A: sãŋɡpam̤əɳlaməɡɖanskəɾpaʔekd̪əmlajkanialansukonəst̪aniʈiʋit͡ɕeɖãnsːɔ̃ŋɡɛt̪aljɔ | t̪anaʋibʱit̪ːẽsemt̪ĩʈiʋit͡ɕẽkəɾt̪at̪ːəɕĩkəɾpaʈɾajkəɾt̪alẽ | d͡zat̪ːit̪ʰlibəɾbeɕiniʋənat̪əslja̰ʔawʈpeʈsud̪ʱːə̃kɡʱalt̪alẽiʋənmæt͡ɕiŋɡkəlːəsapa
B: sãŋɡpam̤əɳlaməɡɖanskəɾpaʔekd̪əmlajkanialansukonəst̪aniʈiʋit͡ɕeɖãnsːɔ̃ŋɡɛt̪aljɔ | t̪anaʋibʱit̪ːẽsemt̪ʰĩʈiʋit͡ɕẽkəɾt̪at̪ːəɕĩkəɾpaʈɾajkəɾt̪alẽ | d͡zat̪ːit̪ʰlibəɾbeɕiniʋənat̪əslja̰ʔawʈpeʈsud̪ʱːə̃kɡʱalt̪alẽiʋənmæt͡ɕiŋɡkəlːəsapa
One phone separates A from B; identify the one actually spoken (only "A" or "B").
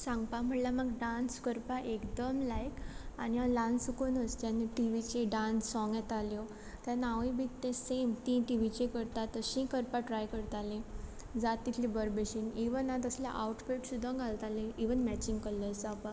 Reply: A